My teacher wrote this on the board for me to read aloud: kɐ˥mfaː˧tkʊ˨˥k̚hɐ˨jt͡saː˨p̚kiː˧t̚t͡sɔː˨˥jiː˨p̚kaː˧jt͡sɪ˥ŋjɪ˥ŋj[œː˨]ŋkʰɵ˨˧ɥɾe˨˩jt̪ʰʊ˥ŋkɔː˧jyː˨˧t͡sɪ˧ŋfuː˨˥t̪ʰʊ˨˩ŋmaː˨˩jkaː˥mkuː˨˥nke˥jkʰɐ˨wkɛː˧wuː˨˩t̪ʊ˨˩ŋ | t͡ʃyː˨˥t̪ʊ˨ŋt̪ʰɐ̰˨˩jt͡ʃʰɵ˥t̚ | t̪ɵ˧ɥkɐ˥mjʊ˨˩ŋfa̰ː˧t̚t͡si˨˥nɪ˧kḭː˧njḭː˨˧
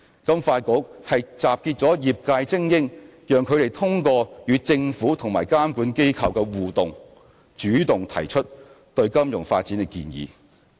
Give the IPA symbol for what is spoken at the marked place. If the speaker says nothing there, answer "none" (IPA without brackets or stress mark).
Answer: œː˨